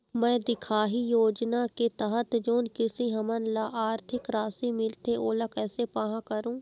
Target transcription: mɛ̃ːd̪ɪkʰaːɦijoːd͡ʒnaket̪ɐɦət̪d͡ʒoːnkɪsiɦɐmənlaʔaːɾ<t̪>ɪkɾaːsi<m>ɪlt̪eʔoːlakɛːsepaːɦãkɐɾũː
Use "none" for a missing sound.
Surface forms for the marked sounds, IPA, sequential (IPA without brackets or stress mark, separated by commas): t̪ʰ, m